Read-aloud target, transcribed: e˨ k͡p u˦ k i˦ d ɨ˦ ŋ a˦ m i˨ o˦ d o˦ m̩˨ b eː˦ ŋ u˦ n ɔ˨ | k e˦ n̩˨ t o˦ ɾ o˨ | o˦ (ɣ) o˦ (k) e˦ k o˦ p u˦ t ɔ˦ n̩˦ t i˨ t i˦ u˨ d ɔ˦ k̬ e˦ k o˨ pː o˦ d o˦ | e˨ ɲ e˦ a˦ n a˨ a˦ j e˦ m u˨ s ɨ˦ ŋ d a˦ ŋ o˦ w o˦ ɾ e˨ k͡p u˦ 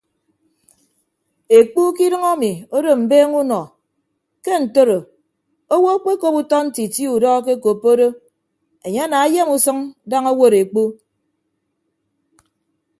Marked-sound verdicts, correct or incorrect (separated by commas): incorrect, incorrect